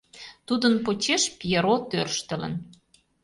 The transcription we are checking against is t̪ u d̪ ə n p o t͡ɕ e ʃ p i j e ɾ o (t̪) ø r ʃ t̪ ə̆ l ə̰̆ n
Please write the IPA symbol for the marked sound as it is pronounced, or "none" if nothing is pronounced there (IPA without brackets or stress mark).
t̪